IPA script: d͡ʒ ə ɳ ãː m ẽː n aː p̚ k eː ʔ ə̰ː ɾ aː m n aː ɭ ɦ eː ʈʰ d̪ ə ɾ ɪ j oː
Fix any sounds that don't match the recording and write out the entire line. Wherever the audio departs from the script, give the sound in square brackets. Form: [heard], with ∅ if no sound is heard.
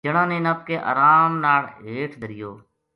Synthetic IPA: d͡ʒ ə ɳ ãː [n] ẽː n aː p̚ k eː ʔ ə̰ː ɾ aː m n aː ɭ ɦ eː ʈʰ d̪ ə ɾ ɪ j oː